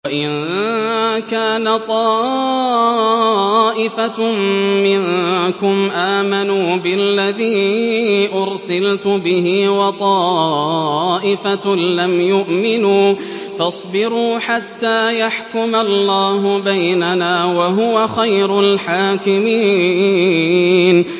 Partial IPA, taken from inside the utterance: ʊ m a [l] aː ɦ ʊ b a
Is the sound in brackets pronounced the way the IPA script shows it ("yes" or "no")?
no